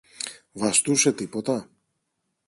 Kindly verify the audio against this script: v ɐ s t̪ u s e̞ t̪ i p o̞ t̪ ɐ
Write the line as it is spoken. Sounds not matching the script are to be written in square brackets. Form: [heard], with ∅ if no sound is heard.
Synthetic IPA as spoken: v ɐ s t̪ u s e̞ t̪ i p o̞ t̪ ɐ